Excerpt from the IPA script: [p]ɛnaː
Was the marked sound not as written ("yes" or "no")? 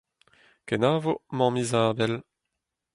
yes